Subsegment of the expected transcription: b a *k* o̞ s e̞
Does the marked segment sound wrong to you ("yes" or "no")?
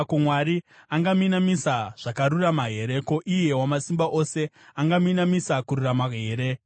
yes